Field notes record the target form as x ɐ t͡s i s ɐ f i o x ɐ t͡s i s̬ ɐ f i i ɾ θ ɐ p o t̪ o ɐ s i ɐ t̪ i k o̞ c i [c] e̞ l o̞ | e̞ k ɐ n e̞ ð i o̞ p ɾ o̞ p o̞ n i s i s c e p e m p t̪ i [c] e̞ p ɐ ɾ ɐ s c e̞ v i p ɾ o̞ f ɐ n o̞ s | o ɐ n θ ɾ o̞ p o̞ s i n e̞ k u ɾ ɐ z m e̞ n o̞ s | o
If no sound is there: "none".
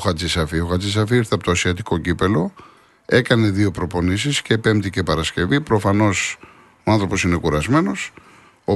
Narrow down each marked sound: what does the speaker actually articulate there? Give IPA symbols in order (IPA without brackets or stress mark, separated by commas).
p, c